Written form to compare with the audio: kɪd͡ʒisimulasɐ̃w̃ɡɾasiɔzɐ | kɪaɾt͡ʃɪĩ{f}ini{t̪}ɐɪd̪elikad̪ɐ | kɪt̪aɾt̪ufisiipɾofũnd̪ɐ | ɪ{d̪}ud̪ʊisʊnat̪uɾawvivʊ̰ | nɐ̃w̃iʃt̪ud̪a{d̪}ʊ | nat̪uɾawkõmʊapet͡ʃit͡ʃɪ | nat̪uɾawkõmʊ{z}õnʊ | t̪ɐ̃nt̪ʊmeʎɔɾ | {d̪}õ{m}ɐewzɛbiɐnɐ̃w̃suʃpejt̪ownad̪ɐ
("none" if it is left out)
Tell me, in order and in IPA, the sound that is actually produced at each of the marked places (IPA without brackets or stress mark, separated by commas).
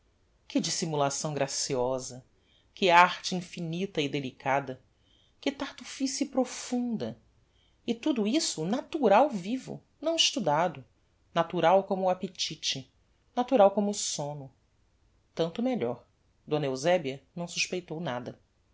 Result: f, t̪, t̪, d̪, s, d̪, n